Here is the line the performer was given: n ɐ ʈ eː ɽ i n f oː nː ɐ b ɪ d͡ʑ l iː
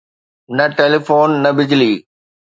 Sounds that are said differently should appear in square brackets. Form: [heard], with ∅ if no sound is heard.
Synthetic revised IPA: n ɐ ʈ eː [l] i [∅] f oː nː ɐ b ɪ d͡ʑ l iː